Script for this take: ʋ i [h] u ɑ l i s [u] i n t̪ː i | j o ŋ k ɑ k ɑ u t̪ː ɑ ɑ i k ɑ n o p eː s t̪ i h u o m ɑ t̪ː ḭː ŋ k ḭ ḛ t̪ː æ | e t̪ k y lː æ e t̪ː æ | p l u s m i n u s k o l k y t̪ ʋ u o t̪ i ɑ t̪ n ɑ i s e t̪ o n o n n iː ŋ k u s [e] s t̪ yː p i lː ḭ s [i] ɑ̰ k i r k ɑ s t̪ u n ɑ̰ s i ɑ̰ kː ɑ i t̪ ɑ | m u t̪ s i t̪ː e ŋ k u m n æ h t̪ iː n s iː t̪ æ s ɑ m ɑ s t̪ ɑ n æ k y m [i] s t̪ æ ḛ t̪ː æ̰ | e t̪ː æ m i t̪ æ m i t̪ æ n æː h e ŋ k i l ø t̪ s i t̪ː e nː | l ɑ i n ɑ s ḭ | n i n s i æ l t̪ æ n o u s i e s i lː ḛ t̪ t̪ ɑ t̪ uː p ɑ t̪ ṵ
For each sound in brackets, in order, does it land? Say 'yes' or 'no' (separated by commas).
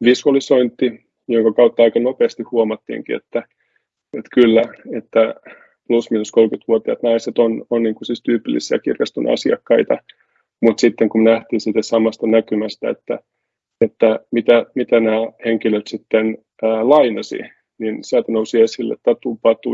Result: no, no, no, yes, no